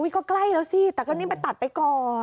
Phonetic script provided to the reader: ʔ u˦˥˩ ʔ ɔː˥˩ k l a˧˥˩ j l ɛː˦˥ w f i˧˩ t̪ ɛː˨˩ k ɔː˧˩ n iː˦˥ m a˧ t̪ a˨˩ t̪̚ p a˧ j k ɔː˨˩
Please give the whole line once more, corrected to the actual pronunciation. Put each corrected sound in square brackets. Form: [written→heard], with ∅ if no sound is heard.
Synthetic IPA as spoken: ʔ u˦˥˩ [ʔ→k] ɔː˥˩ k l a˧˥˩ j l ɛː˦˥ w [f→s] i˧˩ t̪ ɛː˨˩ k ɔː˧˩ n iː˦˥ m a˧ t̪ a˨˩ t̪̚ p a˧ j k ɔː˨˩